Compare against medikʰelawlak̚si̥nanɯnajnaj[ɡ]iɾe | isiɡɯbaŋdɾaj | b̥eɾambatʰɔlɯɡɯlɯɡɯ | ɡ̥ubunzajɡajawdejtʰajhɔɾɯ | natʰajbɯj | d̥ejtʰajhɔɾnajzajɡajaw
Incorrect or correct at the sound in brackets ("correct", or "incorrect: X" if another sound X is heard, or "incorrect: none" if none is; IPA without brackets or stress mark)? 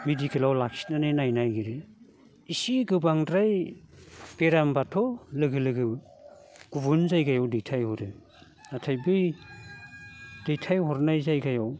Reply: correct